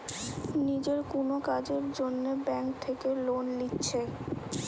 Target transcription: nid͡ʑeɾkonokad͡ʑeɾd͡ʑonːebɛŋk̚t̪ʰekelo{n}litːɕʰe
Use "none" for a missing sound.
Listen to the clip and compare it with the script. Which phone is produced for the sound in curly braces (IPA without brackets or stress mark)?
n